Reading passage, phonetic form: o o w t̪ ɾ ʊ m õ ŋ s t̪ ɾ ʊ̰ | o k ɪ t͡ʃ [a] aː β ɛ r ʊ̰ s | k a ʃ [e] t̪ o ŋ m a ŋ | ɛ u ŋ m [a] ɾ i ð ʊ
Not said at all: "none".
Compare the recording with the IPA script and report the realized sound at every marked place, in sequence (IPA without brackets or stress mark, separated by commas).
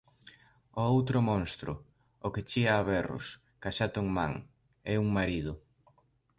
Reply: i, a, a